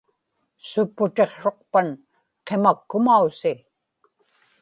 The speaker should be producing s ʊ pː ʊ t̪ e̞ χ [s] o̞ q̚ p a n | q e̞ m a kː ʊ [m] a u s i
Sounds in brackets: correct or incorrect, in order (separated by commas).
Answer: incorrect, correct